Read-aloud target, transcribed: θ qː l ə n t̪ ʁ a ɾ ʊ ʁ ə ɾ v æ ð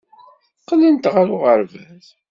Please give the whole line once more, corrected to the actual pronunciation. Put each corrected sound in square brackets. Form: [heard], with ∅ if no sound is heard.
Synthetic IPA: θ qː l ə n t̪ ʁ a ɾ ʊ ʁ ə ɾ v æ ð